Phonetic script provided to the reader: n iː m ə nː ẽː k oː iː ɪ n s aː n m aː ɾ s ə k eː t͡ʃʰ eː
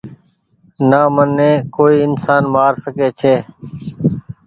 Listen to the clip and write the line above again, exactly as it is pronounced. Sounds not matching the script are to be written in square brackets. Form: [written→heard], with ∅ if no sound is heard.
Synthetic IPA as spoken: n [iː→aː] m ə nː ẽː k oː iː ɪ n s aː n m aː ɾ s ə k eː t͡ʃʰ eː

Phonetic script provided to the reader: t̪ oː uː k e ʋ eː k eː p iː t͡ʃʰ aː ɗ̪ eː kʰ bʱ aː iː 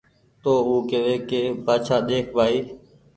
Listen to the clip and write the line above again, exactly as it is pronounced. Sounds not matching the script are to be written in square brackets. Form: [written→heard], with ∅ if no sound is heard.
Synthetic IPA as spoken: t̪ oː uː k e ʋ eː k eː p [iː→aː] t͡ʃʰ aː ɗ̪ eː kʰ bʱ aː iː

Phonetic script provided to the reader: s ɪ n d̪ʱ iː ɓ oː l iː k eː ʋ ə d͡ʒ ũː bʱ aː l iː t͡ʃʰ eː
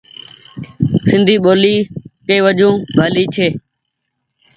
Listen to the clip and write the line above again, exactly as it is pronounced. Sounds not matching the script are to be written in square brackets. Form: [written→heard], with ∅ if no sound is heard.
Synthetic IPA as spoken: s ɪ n d̪ʱ iː ɓ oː l iː k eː ʋ ə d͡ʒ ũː bʱ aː l iː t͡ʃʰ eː

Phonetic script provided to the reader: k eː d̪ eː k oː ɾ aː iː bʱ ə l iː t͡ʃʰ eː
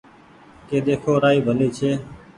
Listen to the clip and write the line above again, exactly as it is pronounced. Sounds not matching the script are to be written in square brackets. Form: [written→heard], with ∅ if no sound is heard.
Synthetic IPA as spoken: k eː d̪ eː [k→kʰ] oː ɾ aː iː bʱ ə l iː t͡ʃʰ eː

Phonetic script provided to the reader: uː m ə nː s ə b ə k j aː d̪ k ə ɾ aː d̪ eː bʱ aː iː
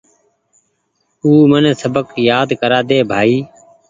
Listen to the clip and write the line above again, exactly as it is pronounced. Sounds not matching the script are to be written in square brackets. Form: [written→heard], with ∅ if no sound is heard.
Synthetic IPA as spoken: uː m ə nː s ə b ə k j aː d̪ k ə ɾ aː d̪ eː bʱ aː iː

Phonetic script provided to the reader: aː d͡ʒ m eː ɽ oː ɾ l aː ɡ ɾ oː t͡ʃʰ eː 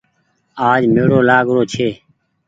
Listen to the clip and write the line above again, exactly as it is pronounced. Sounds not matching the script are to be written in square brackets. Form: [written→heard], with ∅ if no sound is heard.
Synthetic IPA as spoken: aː d͡ʒ m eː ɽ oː [ɾ→∅] l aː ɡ ɾ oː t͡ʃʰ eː

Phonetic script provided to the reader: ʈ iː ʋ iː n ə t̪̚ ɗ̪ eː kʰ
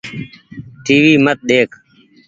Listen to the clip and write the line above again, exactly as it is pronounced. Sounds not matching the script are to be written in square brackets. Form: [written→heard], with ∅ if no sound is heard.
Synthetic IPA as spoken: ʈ iː ʋ iː [n→m] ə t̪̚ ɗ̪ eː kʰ

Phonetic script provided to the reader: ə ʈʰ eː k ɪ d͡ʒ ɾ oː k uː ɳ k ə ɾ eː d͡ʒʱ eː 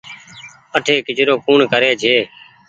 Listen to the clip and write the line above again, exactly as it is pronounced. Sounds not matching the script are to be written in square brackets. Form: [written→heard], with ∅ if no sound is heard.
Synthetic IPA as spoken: ə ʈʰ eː k ɪ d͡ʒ ɾ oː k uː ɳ k ə ɾ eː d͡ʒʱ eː

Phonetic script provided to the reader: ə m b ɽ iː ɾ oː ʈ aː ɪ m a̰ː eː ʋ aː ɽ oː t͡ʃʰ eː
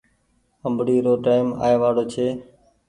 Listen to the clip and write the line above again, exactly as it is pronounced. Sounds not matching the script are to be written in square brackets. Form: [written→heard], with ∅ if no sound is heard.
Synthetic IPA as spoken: ə m b ɽ iː ɾ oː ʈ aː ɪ m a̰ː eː ʋ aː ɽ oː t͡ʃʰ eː

